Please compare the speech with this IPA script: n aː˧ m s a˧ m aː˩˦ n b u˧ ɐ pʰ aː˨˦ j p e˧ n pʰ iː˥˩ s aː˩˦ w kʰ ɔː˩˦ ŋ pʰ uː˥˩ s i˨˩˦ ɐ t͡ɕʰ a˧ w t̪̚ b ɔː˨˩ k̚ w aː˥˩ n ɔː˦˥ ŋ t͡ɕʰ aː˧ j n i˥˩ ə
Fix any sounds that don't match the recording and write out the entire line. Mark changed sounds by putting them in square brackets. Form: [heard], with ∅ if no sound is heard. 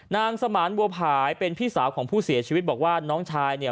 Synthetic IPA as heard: n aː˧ [ŋ] s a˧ m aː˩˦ n b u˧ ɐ pʰ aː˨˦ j p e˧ n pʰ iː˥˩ s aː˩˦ w kʰ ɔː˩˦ ŋ pʰ uː˥˩ s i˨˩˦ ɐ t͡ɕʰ [i˧] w t̪̚ b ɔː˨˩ k̚ w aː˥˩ n ɔː˦˥ ŋ t͡ɕʰ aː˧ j n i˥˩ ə